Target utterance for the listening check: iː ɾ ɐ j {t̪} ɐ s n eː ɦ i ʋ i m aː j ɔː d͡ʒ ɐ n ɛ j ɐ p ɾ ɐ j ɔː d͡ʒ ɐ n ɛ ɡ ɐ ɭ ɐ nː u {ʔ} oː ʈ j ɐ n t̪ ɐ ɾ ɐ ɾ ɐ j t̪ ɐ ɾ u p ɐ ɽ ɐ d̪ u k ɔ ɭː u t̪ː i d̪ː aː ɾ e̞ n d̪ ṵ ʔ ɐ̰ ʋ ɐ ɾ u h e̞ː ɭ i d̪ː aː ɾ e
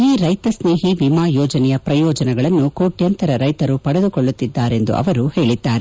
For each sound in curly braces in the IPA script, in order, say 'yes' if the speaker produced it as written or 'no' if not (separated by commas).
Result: yes, no